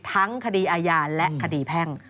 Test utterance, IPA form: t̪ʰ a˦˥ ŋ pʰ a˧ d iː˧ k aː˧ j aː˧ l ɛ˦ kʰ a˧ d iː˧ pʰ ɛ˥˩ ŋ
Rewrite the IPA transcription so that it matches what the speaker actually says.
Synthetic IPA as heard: t̪ʰ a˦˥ ŋ kʰ a˧ d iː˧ ʔ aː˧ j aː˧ l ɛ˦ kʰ a˧ d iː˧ pʰ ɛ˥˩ ŋ